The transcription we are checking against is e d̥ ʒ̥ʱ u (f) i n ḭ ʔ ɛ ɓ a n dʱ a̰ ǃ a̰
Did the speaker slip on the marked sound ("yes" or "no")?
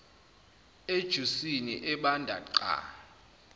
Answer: yes